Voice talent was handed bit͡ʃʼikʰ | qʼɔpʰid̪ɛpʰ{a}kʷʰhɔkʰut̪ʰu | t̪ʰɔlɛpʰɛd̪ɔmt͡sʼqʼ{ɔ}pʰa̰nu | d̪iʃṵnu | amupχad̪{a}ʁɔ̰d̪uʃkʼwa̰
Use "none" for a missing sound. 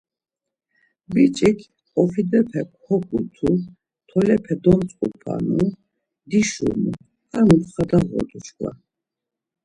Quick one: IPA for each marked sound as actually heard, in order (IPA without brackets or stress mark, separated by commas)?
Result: ɛ, u, a